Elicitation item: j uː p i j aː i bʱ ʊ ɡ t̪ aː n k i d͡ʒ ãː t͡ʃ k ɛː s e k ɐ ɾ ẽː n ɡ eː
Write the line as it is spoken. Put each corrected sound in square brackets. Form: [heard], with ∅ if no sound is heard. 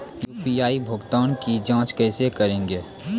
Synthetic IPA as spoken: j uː p i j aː i bʱ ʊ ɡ t̪ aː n k i d͡ʒ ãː t͡ʃ k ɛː s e k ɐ ɾ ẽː [ŋ] ɡ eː

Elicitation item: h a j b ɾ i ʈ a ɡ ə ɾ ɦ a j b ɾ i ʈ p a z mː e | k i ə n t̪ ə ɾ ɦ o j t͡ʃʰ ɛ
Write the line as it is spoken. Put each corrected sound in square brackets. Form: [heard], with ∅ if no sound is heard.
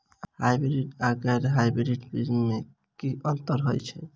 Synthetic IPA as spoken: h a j b ɾ i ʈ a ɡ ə ɾ ɦ a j b ɾ i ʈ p [i] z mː e | k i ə n t̪ ə ɾ ɦ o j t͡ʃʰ ɛ

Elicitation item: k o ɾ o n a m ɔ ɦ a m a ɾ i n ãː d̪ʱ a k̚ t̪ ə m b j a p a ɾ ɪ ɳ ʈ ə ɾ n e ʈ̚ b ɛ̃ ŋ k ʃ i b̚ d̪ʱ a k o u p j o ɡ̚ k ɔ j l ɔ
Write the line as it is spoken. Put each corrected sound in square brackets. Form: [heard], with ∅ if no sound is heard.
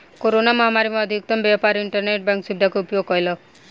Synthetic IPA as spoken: k o ɾ o n a m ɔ ɦ a m a ɾ i [m] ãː d̪ʱ [i] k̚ t̪ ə m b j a p a ɾ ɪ ɳ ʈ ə ɾ n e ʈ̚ b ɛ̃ ŋ k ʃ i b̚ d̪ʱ a k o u p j o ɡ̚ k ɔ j l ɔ

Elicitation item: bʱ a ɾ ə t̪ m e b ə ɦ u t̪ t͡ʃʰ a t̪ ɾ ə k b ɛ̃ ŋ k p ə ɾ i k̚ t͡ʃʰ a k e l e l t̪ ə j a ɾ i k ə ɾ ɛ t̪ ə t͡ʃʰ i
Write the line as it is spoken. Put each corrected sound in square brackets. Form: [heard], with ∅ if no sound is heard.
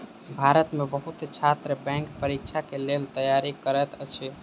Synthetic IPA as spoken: bʱ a ɾ ə t̪ m e b ə ɦ u t̪ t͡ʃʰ a t̪ ɾ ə [∅] b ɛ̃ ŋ k p ə ɾ i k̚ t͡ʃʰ a k e l e l t̪ ə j a ɾ i k ə ɾ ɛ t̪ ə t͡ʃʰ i

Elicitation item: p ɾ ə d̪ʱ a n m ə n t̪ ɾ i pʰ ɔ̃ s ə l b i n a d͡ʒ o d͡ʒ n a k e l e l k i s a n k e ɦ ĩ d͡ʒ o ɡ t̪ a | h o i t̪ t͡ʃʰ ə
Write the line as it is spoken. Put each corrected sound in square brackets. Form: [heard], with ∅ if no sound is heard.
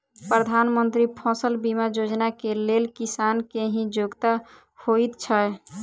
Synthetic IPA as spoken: p ɾ ə d̪ʱ a n m ə n t̪ ɾ i pʰ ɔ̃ s ə l b i [m] a d͡ʒ o d͡ʒ n a k e l e l k i s a n k e ɦ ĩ d͡ʒ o ɡ t̪ a | h o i t̪ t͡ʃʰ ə

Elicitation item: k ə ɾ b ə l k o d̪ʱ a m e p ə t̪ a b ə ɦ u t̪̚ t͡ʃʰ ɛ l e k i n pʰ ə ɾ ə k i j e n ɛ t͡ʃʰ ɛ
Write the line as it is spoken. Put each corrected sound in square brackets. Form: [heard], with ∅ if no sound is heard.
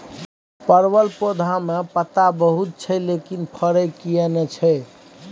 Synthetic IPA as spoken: [p] ə ɾ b ə l [p] o d̪ʱ a m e p ə t̪ a b ə ɦ u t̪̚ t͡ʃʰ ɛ l e k i n pʰ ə ɾ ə k i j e n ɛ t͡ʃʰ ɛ

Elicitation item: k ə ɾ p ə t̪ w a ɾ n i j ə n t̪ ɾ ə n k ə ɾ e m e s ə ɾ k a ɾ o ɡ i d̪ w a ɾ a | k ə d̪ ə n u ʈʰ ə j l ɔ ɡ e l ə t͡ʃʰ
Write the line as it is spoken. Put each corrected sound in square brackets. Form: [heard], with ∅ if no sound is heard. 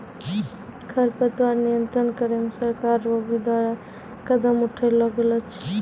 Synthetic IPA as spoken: [kʰ] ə ɾ p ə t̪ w a ɾ n i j ə n t̪ ɾ ə n k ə ɾ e m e s ə ɾ k a ɾ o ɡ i d̪ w a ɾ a | k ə d̪ ə [m] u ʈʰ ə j l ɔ ɡ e l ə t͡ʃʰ

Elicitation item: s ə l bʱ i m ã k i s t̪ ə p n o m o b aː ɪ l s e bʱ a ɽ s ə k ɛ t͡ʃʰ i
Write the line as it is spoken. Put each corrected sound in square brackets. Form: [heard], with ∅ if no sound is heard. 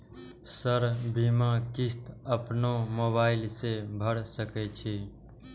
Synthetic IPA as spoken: s ə [ɾ] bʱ i m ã k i s t̪ ə p n o m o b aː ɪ l s e bʱ [ə] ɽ s ə k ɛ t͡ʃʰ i

